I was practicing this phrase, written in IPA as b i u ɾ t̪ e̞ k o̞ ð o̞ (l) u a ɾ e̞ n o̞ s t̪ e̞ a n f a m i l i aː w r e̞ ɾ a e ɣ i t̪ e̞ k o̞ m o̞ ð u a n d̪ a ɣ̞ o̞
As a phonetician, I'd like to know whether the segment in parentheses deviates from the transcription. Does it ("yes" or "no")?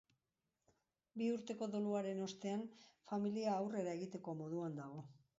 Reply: no